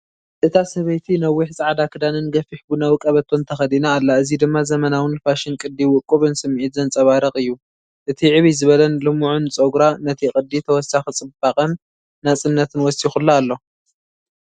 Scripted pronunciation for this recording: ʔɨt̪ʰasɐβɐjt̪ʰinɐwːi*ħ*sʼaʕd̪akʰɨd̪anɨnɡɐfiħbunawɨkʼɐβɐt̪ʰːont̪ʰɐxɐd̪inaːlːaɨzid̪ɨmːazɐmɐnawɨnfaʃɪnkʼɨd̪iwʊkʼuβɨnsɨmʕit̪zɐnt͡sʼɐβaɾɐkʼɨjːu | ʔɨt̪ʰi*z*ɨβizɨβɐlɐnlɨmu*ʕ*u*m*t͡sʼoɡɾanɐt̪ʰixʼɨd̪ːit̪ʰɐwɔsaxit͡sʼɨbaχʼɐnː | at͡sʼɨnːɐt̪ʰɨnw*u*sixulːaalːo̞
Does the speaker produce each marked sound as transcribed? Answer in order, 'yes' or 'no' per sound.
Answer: yes, no, yes, no, no

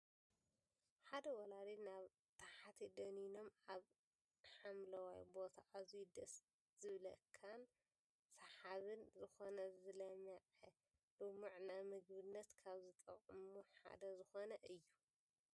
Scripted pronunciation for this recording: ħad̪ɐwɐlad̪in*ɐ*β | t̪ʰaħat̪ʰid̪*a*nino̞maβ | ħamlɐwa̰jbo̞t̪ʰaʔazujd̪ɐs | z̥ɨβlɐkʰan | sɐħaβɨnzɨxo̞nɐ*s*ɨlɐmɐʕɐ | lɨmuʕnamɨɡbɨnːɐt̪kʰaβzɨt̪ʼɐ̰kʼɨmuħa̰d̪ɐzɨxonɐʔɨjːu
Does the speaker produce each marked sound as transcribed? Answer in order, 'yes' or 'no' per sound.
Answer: no, no, no

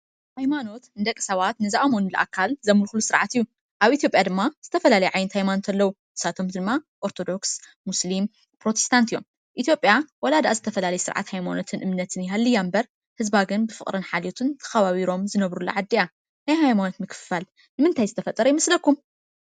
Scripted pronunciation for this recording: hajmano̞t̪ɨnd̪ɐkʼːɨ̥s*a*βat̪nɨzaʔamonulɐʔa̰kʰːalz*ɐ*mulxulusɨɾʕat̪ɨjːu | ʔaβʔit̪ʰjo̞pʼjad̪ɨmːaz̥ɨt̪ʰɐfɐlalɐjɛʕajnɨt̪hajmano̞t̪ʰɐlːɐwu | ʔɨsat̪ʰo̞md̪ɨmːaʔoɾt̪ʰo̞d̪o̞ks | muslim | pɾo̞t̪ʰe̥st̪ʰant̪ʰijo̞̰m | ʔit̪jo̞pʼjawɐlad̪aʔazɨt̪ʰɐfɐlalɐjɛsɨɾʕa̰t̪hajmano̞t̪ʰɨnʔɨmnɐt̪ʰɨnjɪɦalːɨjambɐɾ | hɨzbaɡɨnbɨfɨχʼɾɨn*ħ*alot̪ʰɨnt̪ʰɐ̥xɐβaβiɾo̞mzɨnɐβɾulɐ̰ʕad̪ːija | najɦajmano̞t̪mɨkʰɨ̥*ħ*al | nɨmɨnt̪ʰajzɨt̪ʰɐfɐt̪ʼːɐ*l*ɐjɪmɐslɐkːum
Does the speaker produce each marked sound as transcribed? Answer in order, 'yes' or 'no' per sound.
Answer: no, yes, yes, no, no

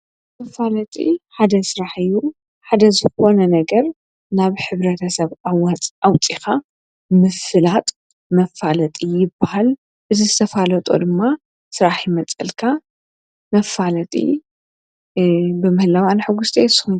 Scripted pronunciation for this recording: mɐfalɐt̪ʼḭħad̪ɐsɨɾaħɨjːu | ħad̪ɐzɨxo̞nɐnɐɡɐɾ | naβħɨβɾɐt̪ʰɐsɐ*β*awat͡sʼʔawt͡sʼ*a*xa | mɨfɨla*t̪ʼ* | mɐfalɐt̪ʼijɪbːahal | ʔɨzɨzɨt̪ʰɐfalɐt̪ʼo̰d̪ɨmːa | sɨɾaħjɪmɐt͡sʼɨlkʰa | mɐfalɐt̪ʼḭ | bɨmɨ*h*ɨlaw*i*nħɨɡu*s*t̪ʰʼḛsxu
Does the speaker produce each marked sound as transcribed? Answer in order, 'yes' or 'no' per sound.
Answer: yes, no, yes, yes, no, yes

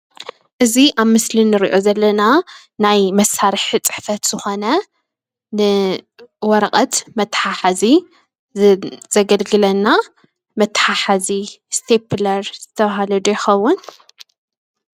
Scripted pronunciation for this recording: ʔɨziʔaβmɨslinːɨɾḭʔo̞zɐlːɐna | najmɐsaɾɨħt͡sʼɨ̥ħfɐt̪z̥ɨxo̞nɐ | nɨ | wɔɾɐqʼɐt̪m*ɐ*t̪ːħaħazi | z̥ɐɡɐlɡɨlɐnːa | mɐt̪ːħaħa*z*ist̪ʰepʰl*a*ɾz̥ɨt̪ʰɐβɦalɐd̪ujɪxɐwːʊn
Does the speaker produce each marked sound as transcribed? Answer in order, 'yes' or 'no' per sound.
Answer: yes, yes, no

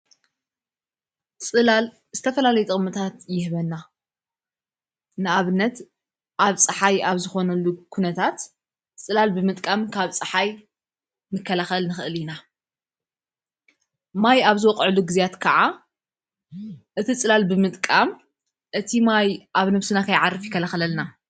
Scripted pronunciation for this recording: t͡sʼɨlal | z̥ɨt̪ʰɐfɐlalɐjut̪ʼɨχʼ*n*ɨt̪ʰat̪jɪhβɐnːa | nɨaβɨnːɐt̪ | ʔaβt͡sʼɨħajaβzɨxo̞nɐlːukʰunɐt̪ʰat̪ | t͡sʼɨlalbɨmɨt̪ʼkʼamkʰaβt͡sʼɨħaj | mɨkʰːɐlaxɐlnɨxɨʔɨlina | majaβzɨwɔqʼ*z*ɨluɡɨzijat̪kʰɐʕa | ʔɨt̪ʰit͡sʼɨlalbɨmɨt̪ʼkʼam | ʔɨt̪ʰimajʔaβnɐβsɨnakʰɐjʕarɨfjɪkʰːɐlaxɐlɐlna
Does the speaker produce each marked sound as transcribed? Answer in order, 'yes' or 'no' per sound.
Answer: no, no

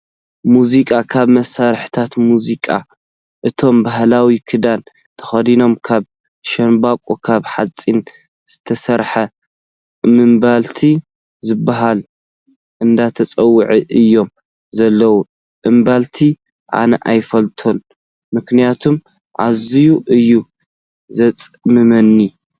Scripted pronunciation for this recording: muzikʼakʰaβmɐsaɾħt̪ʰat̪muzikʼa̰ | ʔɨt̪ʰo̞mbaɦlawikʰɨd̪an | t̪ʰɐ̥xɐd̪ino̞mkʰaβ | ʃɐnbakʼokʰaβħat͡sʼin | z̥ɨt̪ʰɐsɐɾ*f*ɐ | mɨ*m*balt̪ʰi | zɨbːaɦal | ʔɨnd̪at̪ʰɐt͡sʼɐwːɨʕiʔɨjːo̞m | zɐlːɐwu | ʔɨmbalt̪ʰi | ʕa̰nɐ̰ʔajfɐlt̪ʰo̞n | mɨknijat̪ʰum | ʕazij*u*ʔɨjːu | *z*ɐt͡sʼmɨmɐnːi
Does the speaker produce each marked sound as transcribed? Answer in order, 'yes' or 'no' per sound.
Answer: no, yes, yes, yes

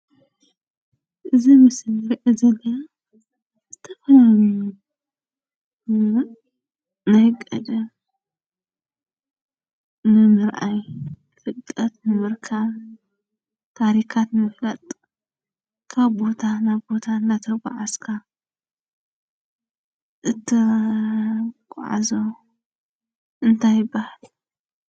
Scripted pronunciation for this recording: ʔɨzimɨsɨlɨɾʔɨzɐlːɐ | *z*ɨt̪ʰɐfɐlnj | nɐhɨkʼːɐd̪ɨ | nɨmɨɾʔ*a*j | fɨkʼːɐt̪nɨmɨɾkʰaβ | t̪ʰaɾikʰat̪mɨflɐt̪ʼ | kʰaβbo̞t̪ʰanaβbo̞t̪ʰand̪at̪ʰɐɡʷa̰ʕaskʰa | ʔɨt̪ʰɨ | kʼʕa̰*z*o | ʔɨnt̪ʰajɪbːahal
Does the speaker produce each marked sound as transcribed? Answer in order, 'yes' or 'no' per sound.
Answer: yes, yes, yes

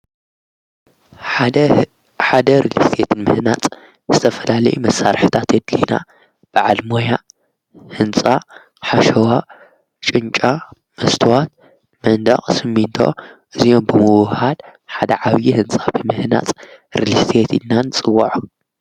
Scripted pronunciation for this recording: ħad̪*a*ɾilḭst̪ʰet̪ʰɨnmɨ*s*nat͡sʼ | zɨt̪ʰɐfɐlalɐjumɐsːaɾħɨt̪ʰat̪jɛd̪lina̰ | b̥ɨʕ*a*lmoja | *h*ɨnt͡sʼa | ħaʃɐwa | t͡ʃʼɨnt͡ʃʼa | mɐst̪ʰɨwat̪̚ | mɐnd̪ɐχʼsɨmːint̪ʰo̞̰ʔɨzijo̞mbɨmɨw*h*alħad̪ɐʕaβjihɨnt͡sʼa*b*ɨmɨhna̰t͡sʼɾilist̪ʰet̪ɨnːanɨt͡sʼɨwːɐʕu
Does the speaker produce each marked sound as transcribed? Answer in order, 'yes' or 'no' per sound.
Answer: no, no, yes, yes, yes, yes

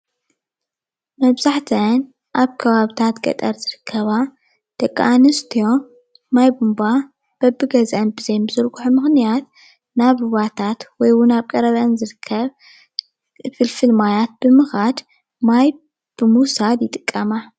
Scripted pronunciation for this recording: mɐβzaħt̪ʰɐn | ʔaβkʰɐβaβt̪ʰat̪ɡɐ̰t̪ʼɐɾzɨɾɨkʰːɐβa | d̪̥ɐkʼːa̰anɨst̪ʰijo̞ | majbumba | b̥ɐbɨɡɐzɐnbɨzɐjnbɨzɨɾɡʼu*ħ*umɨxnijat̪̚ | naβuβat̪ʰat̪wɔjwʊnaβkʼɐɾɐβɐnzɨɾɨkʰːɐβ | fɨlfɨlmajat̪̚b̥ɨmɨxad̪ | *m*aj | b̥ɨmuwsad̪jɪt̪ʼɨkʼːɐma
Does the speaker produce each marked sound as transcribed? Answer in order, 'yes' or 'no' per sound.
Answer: yes, yes

